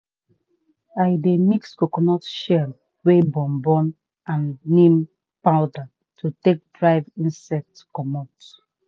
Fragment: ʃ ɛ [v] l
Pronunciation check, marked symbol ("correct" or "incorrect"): incorrect